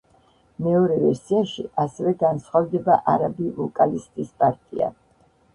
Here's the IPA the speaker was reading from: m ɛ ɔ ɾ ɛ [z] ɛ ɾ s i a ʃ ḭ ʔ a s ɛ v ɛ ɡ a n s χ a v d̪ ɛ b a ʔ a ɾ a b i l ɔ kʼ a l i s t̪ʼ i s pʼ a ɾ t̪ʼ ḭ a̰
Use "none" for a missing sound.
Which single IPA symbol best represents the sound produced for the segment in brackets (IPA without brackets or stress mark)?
v